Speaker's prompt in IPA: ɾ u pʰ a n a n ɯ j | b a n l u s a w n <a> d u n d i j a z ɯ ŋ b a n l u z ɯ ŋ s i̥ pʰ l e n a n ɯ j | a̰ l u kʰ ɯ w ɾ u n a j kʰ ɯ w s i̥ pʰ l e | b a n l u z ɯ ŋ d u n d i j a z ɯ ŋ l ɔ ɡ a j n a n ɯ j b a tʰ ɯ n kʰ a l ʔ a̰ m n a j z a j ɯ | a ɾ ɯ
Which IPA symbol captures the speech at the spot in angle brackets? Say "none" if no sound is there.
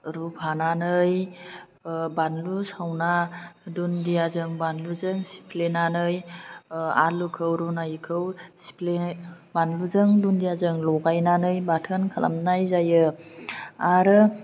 a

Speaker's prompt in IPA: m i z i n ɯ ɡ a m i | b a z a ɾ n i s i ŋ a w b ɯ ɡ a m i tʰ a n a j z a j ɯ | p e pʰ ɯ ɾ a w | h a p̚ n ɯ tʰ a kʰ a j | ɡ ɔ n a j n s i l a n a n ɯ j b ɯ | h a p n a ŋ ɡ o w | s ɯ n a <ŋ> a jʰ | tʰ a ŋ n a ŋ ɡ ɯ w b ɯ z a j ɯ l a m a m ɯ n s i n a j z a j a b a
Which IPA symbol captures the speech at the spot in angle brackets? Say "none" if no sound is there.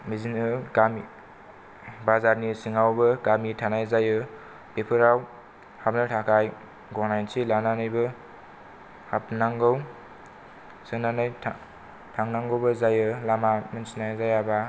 n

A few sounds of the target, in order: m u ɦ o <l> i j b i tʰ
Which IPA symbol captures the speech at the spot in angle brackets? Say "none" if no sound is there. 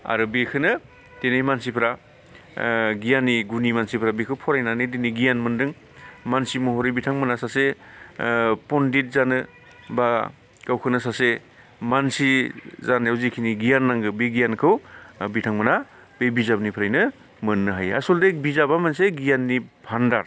ɾ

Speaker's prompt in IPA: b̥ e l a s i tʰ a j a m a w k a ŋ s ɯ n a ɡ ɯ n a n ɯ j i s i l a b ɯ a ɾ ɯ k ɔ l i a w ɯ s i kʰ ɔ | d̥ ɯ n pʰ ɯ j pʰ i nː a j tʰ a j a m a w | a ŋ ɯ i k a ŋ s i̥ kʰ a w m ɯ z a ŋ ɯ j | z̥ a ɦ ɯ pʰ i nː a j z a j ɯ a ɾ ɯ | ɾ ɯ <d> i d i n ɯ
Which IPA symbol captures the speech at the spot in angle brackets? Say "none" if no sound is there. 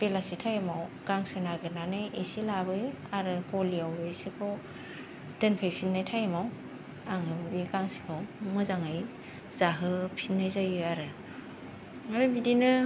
b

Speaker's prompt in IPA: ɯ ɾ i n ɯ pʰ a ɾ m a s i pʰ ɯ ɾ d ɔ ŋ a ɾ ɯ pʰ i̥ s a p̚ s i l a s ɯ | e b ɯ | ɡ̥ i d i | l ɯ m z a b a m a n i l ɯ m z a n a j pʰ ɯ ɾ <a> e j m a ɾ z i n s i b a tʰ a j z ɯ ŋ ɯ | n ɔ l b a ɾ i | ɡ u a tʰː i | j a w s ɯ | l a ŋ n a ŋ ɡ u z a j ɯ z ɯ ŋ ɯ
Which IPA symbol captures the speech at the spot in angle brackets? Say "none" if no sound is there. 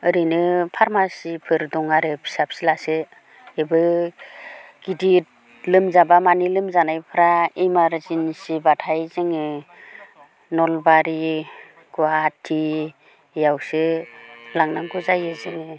a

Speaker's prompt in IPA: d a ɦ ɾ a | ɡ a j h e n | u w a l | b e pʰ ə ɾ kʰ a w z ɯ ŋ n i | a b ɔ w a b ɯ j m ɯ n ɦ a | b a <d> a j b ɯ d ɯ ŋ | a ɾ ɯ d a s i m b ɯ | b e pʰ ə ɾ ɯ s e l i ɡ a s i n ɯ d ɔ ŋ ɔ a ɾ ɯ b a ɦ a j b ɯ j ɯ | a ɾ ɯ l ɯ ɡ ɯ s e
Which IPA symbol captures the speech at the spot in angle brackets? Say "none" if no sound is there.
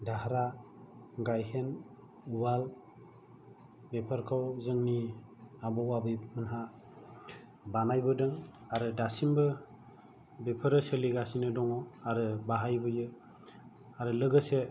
n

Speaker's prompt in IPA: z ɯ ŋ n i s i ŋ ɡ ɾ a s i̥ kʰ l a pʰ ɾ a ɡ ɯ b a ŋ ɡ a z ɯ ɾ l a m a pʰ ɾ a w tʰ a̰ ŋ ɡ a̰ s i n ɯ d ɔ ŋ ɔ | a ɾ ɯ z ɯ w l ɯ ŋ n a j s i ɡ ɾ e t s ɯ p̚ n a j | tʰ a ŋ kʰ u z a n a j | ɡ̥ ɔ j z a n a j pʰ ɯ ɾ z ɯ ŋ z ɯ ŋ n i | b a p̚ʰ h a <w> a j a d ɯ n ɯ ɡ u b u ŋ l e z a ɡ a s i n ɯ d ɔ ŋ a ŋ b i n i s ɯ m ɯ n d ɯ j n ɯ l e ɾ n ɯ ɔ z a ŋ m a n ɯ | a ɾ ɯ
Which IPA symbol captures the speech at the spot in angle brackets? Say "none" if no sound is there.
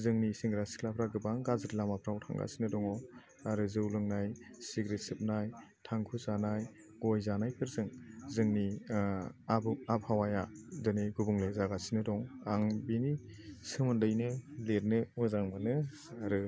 w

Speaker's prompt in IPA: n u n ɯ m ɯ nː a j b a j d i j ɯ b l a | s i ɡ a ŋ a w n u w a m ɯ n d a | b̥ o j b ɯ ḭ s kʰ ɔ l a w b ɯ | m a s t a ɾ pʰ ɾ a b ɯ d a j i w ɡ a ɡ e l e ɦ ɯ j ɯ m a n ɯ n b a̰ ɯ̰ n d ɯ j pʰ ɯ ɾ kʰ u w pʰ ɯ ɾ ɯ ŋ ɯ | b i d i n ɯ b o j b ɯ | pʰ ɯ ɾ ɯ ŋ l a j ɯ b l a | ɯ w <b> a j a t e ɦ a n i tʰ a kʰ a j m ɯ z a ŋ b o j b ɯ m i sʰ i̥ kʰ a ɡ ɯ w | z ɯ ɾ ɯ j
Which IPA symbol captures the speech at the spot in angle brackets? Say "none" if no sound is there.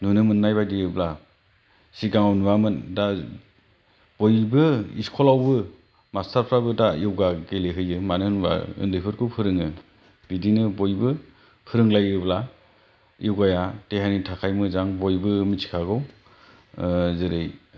ɡ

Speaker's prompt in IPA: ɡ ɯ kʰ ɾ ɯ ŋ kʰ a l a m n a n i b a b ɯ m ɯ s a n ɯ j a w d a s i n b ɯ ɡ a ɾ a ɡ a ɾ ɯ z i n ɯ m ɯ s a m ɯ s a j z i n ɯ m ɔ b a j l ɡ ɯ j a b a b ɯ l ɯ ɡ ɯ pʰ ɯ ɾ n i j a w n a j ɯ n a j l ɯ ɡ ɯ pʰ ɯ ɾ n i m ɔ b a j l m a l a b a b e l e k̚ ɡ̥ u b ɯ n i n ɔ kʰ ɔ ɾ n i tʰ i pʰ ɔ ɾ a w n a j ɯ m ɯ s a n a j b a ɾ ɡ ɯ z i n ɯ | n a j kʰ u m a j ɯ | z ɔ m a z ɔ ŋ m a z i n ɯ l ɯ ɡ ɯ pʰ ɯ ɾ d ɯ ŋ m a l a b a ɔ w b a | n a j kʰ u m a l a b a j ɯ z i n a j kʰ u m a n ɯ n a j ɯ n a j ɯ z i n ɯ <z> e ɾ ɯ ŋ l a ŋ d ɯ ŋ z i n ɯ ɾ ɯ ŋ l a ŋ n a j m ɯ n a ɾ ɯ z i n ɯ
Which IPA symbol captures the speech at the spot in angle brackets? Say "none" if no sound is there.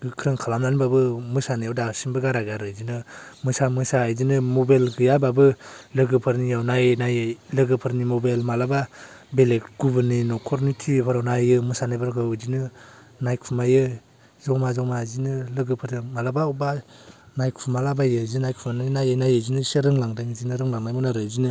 s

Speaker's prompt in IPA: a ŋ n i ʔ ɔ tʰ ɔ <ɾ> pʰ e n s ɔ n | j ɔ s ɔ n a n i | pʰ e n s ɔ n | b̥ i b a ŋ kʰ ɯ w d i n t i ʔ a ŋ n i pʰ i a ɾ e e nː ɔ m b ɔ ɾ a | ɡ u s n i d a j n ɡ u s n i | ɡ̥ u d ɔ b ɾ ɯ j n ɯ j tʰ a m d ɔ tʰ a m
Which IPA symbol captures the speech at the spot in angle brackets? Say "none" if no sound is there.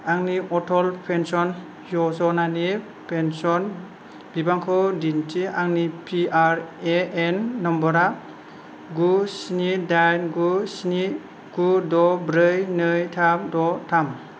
l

